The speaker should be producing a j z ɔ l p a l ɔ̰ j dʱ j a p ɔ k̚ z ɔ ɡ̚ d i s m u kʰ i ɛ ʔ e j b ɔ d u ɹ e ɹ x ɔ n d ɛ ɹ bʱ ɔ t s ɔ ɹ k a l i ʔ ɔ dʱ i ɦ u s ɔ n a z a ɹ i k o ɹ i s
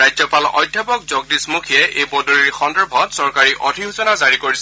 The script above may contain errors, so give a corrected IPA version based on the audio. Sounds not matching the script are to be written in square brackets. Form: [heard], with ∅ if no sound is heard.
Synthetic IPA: a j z ɔ [∅] p a l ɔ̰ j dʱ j a p ɔ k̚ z ɔ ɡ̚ d i s m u kʰ i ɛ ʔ e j b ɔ d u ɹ [i] ɹ x ɔ n d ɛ ɹ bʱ ɔ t s ɔ ɹ k a [ɹ] i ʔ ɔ dʱ i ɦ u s ɔ n a z a ɹ i k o ɹ i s